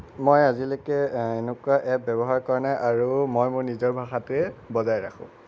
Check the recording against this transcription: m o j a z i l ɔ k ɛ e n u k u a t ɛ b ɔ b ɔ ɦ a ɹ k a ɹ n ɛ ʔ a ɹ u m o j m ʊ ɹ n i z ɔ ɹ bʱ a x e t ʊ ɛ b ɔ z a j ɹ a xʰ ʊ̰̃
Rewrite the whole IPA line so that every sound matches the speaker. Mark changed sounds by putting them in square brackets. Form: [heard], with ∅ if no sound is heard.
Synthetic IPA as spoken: m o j a z i l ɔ k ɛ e n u k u a [ʔ] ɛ b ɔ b ɔ ɦ a ɹ k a ɹ n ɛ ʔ a ɹ u m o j m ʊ ɹ n i z ɔ ɹ bʱ a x [a] t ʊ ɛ b ɔ z a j ɹ a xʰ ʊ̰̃